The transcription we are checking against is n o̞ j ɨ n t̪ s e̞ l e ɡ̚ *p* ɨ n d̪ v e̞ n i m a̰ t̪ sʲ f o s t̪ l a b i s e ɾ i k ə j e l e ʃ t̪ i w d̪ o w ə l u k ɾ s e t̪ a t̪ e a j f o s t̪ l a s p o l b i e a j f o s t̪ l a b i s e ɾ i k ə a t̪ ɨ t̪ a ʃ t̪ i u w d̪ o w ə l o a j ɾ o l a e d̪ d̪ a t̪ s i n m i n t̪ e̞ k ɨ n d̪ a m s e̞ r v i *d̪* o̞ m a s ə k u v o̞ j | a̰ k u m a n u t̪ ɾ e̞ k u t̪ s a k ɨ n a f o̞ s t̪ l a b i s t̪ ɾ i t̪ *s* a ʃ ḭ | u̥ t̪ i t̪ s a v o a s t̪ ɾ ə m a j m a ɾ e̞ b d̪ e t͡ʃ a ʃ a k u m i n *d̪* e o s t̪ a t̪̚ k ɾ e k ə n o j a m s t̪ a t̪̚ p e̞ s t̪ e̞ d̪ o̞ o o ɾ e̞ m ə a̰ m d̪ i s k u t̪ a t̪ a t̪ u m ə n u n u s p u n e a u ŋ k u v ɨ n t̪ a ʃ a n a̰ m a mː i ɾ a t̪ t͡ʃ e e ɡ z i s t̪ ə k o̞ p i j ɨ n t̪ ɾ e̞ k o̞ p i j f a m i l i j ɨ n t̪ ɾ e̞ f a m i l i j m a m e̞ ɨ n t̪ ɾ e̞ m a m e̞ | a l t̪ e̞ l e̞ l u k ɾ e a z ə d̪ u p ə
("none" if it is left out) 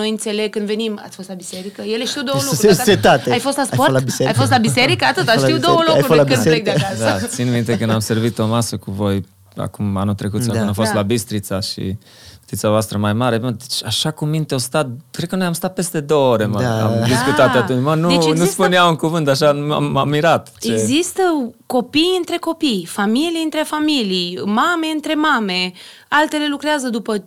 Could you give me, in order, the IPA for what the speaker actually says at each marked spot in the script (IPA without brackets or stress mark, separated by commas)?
k, t̪, s, t̪